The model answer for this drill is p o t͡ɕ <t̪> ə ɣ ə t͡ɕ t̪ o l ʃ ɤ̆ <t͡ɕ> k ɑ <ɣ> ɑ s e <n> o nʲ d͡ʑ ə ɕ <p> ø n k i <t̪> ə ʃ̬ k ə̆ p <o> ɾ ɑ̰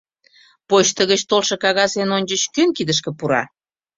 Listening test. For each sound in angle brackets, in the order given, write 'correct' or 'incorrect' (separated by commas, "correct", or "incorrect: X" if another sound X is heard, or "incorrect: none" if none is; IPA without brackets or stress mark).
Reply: correct, incorrect: none, correct, correct, incorrect: k, incorrect: d̪, incorrect: u